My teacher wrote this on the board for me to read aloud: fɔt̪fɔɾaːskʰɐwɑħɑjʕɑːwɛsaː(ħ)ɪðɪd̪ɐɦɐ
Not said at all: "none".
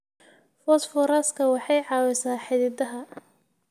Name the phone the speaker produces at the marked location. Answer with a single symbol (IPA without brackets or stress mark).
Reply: ħ